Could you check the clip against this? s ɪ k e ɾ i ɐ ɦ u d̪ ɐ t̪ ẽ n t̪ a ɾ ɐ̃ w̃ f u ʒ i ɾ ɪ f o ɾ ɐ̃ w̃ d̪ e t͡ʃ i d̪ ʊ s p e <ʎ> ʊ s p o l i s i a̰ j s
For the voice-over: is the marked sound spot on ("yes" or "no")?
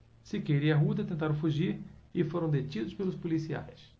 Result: no